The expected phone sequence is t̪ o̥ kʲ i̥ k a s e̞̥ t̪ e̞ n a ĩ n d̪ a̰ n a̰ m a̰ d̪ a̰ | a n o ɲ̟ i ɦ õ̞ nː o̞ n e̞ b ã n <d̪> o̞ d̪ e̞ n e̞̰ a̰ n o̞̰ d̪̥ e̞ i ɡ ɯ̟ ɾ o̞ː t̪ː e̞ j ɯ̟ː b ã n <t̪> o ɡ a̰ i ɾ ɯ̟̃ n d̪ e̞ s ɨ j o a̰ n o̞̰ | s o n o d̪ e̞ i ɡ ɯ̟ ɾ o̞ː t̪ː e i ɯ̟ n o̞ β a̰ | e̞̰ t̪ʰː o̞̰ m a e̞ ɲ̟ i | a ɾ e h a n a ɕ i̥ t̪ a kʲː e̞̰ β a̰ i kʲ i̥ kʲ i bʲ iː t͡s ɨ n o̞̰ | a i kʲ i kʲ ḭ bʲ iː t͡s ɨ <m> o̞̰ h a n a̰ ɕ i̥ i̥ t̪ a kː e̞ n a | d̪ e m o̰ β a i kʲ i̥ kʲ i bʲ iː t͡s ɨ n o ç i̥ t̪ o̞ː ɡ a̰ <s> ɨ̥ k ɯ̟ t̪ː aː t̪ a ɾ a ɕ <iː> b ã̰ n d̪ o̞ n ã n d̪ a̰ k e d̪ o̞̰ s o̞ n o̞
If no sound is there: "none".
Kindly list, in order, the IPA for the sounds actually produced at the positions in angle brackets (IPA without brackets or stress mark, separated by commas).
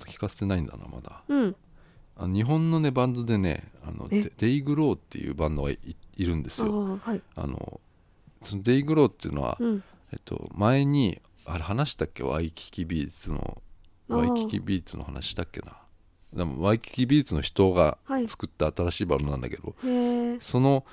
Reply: d̪, d̪, n, t͡s, iː